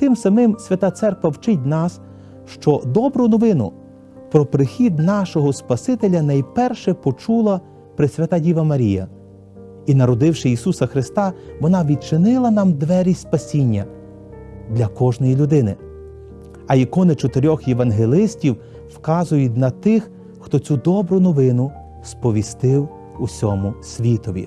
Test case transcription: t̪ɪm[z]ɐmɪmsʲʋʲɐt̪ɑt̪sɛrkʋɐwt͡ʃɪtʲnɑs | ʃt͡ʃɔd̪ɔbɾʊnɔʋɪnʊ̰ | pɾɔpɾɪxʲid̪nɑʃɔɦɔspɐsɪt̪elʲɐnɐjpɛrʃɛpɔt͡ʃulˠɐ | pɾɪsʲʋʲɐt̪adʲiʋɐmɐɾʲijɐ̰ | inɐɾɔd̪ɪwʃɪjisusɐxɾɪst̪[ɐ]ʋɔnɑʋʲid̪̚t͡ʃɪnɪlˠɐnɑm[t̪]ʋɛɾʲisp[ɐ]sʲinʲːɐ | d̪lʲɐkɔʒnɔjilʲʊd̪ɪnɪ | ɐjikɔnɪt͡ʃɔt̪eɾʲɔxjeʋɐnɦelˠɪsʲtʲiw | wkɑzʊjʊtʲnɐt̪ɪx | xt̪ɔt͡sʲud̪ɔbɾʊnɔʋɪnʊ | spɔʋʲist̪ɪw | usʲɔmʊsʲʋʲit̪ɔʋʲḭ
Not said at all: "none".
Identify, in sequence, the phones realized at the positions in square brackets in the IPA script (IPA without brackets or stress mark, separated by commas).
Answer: s, ɑ, d̪, ɐ